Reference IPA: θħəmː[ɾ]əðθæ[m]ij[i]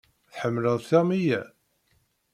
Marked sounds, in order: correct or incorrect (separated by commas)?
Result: incorrect, correct, incorrect